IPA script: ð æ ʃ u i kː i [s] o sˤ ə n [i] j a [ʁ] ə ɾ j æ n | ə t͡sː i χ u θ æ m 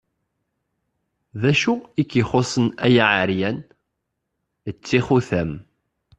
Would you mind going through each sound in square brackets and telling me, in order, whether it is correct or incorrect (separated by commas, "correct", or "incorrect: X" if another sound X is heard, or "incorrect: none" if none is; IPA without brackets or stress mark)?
incorrect: χ, incorrect: æ, incorrect: ʕ